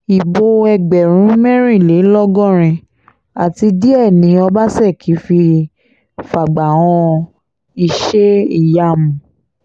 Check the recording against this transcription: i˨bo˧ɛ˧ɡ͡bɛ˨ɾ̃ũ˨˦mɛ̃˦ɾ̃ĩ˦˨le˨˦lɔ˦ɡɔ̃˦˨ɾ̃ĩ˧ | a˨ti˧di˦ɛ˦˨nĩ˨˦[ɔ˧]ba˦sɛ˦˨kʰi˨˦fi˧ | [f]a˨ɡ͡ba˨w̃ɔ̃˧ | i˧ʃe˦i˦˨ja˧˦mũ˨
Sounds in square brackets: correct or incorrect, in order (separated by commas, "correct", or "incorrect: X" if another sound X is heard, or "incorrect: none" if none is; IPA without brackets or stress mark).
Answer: correct, correct